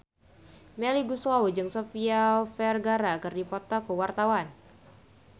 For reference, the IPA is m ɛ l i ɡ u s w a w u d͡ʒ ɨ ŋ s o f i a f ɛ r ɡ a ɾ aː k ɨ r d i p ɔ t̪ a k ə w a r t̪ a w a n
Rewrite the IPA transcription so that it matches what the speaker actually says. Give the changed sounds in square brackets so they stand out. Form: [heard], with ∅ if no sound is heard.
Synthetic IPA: m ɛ l i ɡ u s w a w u d͡ʒ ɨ ŋ s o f i a f ɛ r ɡ a ɾ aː k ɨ r d i p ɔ t̪ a k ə w a r t̪ a w a n